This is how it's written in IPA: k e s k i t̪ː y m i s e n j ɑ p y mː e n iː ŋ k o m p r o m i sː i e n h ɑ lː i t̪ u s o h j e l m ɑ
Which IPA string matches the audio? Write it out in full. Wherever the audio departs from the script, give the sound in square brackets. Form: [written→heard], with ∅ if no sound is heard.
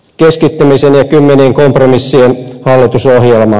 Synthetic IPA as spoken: k e s k i t̪ː y m i s e n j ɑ [p→k] y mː e n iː ŋ k o m p r o m i sː i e n h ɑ lː i t̪ u s o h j e l m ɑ